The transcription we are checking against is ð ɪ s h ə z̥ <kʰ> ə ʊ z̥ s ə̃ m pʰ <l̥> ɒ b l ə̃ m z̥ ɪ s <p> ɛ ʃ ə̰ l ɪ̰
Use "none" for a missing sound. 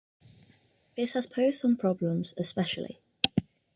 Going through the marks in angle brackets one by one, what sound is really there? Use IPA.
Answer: pʰ, ɹ̥, p

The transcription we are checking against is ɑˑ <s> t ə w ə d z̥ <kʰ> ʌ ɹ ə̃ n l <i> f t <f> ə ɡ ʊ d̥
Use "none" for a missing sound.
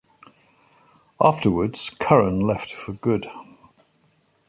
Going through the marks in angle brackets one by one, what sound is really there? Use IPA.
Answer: f, kʰ, ɛ, f

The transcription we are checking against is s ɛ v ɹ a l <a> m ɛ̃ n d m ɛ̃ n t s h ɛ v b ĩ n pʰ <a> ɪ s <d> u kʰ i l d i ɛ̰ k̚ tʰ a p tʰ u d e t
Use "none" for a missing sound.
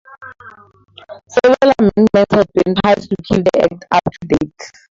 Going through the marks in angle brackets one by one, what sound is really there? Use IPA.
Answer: a, a, t

